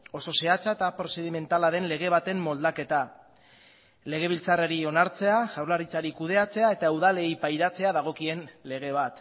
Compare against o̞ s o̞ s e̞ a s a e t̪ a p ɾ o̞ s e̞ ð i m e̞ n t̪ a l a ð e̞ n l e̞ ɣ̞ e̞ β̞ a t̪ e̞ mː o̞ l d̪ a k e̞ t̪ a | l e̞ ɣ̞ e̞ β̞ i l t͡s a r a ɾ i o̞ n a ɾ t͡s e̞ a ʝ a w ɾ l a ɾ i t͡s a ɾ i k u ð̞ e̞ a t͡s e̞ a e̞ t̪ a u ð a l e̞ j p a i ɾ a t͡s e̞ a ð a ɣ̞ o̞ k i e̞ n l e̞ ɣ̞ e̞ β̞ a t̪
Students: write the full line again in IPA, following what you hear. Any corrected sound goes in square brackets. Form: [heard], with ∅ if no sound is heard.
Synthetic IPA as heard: o̞ s o̞ s e̞ a [t͡s] a e t̪ a p ɾ o̞ s e̞ ð i m e̞ n t̪ a l a ð e̞ n l e̞ ɣ̞ e̞ β̞ a t̪ e̞ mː o̞ l d̪ a k e̞ t̪ a | l e̞ ɣ̞ e̞ β̞ i l t͡s a r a ɾ i o̞ n a ɾ t͡s e̞ a ʝ a w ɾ l a ɾ i t͡s a ɾ i k u ð̞ e̞ a t͡s e̞ a e̞ t̪ a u ð a l e̞ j p a [j] ɾ a t͡s e̞ a ð a ɣ̞ o̞ k i e̞ n l e̞ ɣ̞ e̞ β̞ a t̪